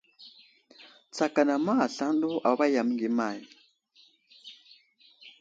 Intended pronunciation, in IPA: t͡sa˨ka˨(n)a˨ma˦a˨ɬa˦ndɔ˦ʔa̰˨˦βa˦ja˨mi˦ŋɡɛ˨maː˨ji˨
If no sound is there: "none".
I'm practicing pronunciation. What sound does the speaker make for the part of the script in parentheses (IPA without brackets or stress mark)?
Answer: n